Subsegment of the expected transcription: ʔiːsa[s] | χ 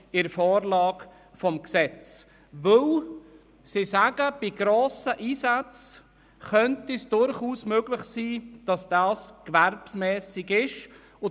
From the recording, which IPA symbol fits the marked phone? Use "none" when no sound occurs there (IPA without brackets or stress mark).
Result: t͡s